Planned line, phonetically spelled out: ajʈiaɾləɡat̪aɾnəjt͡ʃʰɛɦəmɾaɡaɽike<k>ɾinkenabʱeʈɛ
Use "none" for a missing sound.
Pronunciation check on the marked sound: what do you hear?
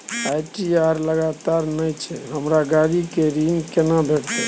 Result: none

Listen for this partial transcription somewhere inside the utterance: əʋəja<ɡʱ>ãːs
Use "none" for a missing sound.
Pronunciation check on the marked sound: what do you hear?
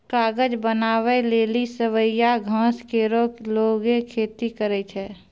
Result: ɡʱ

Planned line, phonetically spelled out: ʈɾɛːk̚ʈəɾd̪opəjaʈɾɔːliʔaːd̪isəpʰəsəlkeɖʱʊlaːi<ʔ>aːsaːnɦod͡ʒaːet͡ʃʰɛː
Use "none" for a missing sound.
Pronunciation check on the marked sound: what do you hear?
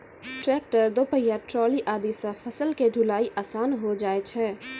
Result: ʔ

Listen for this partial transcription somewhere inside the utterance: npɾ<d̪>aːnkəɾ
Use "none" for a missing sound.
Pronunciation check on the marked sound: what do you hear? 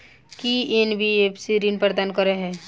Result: d̪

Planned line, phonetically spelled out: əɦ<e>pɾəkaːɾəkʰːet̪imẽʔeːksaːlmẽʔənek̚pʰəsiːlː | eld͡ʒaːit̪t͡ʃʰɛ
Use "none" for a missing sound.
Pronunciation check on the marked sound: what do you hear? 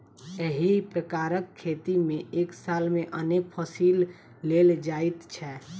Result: i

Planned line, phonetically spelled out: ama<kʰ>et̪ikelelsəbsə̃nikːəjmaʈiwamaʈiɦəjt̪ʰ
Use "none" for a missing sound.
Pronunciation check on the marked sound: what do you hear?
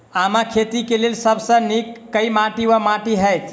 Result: kʰ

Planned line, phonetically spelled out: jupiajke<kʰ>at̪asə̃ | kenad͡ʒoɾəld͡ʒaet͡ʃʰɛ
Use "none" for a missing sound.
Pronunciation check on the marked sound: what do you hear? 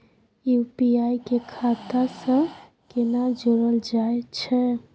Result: kʰ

